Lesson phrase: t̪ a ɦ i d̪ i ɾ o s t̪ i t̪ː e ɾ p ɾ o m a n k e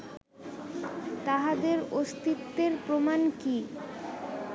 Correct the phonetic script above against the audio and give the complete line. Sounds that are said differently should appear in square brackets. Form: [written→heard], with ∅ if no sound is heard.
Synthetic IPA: t̪ a ɦ [i→a] d̪ [i→e] ɾ o s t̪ i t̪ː e ɾ p ɾ o m a n k [e→i]